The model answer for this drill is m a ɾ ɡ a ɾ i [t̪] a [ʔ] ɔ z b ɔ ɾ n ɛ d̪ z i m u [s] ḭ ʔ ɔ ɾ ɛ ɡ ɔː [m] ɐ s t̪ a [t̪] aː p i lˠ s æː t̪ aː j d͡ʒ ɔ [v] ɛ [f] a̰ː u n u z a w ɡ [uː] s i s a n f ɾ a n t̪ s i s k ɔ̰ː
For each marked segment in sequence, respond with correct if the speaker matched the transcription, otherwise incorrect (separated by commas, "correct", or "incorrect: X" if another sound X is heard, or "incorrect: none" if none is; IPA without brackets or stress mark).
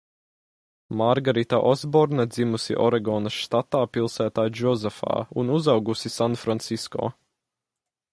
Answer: correct, correct, correct, incorrect: n, correct, incorrect: z, correct, incorrect: u